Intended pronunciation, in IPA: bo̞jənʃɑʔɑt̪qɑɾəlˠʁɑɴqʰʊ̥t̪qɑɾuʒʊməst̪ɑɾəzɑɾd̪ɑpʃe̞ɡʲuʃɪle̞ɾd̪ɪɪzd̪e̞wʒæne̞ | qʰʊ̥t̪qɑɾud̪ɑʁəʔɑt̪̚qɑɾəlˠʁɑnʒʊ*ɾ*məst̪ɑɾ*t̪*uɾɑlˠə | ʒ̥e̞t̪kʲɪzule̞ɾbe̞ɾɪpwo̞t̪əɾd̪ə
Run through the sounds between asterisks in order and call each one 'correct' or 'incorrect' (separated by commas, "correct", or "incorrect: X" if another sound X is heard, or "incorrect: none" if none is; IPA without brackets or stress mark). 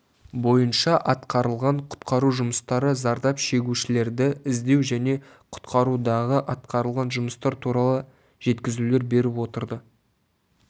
incorrect: none, incorrect: t̪ʰ